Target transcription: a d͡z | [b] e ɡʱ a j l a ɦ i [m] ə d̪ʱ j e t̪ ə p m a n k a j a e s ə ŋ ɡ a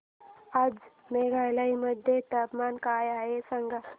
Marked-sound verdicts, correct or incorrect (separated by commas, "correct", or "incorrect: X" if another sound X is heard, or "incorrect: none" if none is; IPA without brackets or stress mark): incorrect: m, correct